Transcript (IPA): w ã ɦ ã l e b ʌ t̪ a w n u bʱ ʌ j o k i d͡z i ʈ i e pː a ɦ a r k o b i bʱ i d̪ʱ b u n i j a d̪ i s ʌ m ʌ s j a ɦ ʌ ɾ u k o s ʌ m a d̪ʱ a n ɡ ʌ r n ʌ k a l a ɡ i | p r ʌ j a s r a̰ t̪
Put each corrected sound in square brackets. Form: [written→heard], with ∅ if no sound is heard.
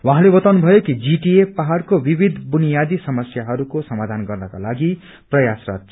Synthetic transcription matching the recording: w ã ɦ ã l e b ʌ t̪ a w n u bʱ ʌ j o k i d͡z i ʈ i e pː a ɦ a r k o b i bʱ i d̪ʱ b u n i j a d̪ i s ʌ m ʌ s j a ɦ ʌ ɾ u k o s ʌ m a d̪ʱ a n ɡ ʌ r n ʌ k a l a ɡ i | p r ʌ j a s r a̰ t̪

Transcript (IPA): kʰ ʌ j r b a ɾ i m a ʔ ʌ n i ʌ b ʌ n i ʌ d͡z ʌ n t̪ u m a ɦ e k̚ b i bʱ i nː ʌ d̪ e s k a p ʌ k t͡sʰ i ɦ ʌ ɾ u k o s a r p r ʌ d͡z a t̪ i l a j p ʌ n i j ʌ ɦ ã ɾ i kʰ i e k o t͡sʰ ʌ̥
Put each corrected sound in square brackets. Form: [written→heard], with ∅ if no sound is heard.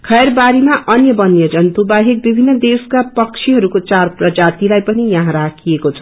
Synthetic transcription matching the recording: kʰ ʌ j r b a ɾ i m a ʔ ʌ n [i→j] ʌ b ʌ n [i→j] ʌ d͡z ʌ n t̪ u [m→b] a ɦ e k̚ b i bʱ i nː ʌ d̪ e s k a p ʌ k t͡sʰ i ɦ ʌ ɾ u k o [s→t͡s] a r p r ʌ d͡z a t̪ i l a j p ʌ n i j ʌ ɦ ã ɾ [i→a] kʰ i e k o t͡sʰ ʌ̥

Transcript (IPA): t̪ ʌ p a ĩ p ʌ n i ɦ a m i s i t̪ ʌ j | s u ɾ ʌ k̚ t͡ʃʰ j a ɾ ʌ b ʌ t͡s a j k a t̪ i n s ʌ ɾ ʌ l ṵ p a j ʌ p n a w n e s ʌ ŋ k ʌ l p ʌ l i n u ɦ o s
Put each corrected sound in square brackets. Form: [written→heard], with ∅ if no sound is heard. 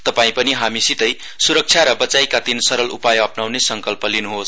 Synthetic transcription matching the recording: t̪ ʌ p a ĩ p ʌ n i ɦ a m i s i t̪ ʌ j | s u ɾ ʌ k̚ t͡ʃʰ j a ɾ ʌ b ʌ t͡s a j k a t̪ i n s ʌ ɾ ʌ l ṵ p a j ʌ p n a w n e s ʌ ŋ k ʌ l p ʌ l i n u ɦ o s

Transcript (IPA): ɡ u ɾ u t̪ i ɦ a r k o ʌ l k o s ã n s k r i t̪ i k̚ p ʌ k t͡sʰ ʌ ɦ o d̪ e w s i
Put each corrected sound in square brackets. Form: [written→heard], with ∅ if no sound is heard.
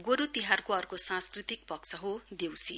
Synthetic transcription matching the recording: ɡ [u→o] ɾ u t̪ i ɦ a r k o ʌ [l→r] k o s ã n s k r i t̪ i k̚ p ʌ k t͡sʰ ʌ ɦ o d̪ e w s i

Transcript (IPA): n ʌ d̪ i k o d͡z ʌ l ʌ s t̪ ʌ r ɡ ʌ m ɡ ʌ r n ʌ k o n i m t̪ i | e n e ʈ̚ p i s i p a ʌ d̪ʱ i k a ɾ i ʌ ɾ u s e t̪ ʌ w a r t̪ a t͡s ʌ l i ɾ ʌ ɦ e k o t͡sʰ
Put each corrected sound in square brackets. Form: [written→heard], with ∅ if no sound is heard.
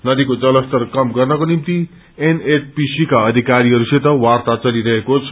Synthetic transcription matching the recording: n ʌ d̪ i k o d͡z ʌ l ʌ s t̪ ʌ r [ɡ→k] ʌ m ɡ ʌ r n ʌ k o n i m t̪ i | e n e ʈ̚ p i s i [p→k] a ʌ d̪ʱ i k a ɾ i ʌ ɾ u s e t̪ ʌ w a r t̪ a t͡s ʌ l i ɾ ʌ ɦ e k o t͡sʰ

